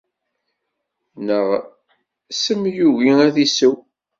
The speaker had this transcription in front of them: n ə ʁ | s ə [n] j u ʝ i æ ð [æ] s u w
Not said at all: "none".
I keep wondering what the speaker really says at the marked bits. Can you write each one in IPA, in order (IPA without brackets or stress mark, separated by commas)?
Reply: m, i